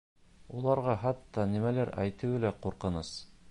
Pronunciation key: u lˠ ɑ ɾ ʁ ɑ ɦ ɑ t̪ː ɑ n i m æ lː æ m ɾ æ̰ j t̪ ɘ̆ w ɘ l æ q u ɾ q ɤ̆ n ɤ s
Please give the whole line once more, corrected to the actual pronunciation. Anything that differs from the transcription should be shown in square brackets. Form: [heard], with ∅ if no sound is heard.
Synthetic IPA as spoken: u lˠ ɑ ɾ ʁ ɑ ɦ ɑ t̪ː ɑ n i m æ [l] æ [∅] ɾ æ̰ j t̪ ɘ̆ w ɘ l æ q u ɾ q ɤ̆ n ɤ s